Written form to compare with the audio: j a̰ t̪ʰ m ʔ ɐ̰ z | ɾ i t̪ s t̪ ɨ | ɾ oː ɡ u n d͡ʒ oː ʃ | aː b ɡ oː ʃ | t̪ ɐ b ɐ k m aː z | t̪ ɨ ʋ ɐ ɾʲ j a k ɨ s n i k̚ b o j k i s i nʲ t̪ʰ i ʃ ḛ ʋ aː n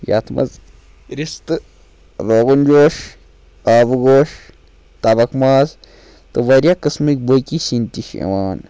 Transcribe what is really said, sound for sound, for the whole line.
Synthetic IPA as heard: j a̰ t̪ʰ m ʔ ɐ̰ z | ɾ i s t̪ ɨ | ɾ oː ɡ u n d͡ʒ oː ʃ | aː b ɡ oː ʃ | t̪ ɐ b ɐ k m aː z | t̪ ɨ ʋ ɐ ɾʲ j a k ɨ s m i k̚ b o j k i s i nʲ t̪ i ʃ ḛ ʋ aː n